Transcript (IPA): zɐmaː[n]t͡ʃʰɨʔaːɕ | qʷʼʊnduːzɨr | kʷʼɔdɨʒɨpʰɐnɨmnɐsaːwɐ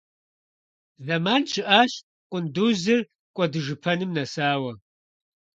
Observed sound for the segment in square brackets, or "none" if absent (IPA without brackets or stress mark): n